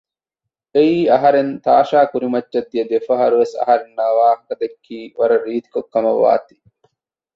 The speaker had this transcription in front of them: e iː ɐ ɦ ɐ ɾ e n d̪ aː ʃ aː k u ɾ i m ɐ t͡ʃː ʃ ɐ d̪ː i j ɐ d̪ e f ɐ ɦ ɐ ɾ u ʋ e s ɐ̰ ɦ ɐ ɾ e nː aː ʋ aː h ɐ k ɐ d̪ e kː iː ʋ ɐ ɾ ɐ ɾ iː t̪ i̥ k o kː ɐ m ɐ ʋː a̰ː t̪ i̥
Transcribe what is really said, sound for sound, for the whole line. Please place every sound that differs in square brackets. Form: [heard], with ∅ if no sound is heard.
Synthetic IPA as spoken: e iː ɐ ɦ ɐ ɾ e n [t̪] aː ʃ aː k u ɾ i m ɐ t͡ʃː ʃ ɐ d̪ː i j ɐ d̪ e f ɐ ɦ ɐ ɾ u ʋ e s ɐ̰ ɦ ɐ ɾ e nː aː ʋ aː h ɐ k ɐ d̪ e kː iː ʋ ɐ ɾ ɐ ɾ iː t̪ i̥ k o kː ɐ m ɐ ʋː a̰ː t̪ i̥